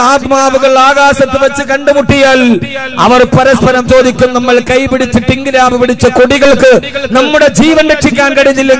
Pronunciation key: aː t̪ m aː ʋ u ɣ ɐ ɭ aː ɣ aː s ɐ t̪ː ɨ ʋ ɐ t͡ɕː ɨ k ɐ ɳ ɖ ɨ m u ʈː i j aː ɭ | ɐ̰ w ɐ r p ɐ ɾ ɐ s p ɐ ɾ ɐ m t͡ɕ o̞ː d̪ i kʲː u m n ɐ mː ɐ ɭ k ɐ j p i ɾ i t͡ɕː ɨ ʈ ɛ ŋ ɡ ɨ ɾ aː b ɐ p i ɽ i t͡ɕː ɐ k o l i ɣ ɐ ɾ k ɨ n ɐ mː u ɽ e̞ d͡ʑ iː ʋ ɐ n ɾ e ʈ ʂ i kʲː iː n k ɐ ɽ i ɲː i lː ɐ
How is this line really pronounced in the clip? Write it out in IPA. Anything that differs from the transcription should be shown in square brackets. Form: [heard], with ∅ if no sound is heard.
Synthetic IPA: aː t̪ m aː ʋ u ɣ ɐ ɭ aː ɣ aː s ɐ t̪ː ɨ ʋ ɐ t͡ɕː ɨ k ɐ ɳ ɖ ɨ m u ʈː i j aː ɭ | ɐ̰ [ʋ] ɐ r p ɐ ɾ ɐ s p ɐ ɾ ɐ m t͡ɕ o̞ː d̪ i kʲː u m n ɐ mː ɐ ɭ k ɐ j p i [ɽ] i t͡ɕː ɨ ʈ [i] ŋ ɡ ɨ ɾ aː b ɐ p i ɽ i t͡ɕː ɐ k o [ɽ] i ɣ ɐ [ɭ] k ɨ n ɐ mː u ɽ e̞ d͡ʑ iː ʋ ɐ n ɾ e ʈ ʂ i kʲː [aː] n k ɐ ɽ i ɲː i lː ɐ